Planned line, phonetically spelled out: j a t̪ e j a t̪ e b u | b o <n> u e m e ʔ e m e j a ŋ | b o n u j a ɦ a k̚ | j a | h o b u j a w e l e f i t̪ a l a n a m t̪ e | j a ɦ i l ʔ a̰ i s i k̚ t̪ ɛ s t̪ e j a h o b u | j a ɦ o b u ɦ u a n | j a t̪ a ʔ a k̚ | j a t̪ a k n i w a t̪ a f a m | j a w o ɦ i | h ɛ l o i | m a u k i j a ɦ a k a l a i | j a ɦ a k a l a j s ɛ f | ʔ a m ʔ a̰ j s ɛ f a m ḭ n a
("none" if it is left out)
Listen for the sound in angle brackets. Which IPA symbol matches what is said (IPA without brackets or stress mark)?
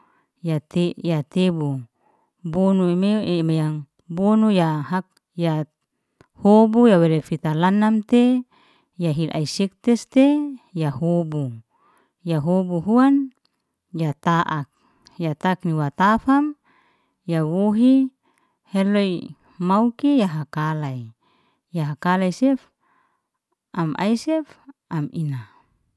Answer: n